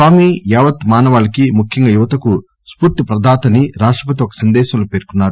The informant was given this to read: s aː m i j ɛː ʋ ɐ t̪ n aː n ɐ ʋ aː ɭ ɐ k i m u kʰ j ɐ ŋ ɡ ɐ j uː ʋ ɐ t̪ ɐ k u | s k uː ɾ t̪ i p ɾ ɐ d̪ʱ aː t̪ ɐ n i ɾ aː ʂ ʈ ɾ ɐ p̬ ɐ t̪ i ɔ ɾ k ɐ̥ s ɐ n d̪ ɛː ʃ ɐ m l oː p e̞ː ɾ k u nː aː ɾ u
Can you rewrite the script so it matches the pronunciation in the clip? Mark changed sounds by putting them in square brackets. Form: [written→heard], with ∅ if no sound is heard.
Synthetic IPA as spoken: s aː m i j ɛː ʋ ɐ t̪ [n→m] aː n ɐ ʋ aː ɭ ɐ k i m u kʰ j ɐ ŋ ɡ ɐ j [uː→u] ʋ ɐ t̪ ɐ k u | s [k→p] uː ɾ t̪ i p ɾ ɐ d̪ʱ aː t̪ ɐ n i ɾ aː ʂ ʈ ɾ ɐ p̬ ɐ t̪ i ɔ [ɾ→∅] k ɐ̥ s ɐ n d̪ ɛː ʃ ɐ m l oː p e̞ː ɾ k u nː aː ɾ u